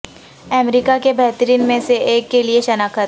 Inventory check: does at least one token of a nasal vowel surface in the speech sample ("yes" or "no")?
yes